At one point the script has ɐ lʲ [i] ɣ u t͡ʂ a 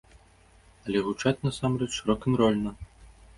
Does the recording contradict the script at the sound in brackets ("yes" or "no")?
yes